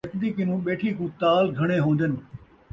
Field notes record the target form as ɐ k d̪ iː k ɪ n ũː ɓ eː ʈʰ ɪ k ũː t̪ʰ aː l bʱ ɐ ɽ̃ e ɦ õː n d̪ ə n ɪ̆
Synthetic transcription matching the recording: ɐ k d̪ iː k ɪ n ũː ɓ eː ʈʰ i k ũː t̪ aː l ɡʱ ɐ ɽ̃ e ɦ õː n d̪ ə n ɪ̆